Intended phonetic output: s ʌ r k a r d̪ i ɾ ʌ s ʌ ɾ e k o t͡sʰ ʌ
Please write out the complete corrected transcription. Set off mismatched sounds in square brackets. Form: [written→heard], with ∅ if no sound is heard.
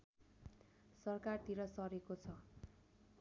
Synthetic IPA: s ʌ r k a r [d̪→t̪] i ɾ ʌ s ʌ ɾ e k o t͡sʰ ʌ